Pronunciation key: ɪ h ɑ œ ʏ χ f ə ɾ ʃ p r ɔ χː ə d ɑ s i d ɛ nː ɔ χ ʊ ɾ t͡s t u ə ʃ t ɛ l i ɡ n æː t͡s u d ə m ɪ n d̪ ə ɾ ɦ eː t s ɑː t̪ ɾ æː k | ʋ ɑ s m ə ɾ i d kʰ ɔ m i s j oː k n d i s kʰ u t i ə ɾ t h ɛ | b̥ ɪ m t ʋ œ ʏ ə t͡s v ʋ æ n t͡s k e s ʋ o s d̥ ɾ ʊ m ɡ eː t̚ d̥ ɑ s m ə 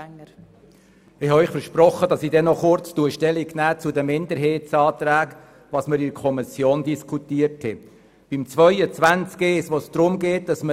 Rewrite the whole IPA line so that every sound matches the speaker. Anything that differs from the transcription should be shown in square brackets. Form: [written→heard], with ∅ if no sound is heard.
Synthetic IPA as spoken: ɪ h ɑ œ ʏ χ f ə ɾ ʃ p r ɔ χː ə d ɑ s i d ɛ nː ɔ χ ʊ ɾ t͡s t u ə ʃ t ɛ l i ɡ n æː t͡s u d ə m ɪ n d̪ ə ɾ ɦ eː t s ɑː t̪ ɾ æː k | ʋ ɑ s m ə ɾ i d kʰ ɔ m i s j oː [k→∅] n d i s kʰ u t i ə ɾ t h ɛ | b̥ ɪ m [t→t͡s] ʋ œ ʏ ə t͡s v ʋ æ n t͡s k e s ʋ o s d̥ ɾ ʊ m ɡ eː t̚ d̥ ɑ s m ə